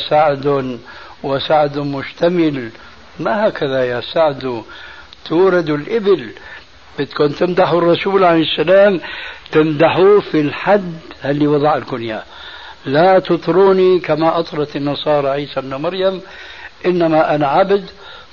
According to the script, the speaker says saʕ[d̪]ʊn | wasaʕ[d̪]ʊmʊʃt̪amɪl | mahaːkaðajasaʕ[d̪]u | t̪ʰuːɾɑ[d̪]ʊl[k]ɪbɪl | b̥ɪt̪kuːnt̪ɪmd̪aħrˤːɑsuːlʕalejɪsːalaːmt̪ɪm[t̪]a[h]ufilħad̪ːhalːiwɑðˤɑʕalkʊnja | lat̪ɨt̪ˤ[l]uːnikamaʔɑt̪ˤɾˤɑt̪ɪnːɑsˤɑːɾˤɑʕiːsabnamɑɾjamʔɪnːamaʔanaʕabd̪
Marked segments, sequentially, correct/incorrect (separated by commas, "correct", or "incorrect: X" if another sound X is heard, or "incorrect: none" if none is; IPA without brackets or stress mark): correct, correct, correct, correct, incorrect: ʔ, incorrect: d̪, incorrect: ħ, incorrect: ɾ